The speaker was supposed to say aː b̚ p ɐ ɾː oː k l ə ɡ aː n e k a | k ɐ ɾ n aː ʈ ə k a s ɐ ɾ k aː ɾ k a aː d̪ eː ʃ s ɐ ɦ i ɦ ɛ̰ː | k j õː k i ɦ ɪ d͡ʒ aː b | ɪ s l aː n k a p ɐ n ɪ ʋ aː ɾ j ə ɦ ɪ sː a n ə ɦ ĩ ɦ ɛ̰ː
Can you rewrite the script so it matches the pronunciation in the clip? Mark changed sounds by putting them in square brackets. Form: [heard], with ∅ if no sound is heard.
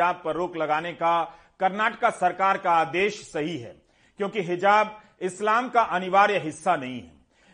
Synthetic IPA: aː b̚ p ɐ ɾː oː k l [ɐ] ɡ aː n e k a | k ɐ ɾ n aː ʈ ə k a s ɐ ɾ k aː ɾ k a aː d̪ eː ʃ s ɐ ɦ i ɦ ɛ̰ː | k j õː k i ɦ ɪ d͡ʒ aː b | ɪ s l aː [m] k a [ʔ] ɐ n ɪ ʋ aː ɾ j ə ɦ ɪ sː a n [ɐ] ɦ ĩ ɦ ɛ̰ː